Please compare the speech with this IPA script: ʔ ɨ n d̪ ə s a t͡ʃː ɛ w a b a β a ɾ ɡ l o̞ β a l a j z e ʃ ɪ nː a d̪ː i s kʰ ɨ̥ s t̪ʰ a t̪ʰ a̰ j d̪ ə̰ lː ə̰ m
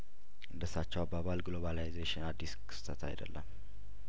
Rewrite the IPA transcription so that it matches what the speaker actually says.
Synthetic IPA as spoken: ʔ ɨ n d̪ ə s a t͡ʃː ɛ w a b a β a l ɡ l o̞ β a l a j z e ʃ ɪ n a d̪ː i s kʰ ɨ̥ s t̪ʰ ə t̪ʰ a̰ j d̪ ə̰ lː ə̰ m